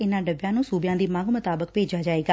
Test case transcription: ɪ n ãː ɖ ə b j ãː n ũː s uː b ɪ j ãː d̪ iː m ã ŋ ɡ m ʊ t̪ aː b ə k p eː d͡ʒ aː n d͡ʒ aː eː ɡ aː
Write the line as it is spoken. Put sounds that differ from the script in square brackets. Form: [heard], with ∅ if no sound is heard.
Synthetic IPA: ɪ n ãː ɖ ə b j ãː n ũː s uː b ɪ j ãː d̪ iː m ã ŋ ɡ m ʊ t̪ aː b ə k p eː d͡ʒ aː [∅] d͡ʒ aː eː ɡ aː